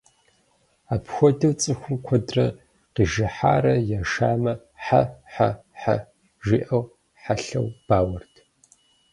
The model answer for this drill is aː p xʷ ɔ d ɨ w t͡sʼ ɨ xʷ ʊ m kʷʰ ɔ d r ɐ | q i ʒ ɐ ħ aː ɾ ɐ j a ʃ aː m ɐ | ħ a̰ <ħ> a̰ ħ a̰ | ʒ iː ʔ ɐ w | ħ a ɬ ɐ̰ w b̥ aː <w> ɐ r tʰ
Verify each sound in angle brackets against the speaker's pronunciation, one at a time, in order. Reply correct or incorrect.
correct, correct

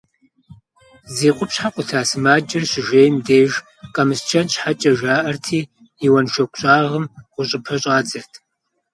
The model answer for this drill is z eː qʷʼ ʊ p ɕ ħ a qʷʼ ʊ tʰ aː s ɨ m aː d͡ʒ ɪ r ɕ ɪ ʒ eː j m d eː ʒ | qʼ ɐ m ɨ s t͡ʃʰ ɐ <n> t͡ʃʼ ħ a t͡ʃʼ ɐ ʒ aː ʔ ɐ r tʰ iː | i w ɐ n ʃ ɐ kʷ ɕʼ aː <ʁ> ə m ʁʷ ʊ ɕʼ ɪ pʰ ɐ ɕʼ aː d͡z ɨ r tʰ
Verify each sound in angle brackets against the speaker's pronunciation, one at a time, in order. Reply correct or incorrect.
correct, correct

